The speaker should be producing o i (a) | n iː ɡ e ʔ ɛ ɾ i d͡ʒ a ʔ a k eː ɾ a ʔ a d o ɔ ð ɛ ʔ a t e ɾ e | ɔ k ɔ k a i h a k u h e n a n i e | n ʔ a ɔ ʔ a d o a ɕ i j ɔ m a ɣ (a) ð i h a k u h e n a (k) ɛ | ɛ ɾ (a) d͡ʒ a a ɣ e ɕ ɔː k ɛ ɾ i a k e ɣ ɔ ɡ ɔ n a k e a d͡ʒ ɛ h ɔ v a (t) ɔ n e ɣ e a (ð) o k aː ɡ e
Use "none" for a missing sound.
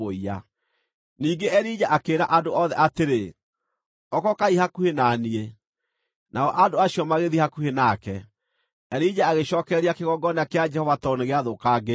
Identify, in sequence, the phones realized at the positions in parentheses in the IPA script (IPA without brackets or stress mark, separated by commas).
a, e, k, i, t, ð